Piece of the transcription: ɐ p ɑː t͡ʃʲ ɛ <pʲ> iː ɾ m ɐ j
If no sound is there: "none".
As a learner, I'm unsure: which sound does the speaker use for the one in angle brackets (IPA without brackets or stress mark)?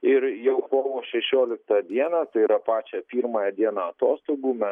pʲ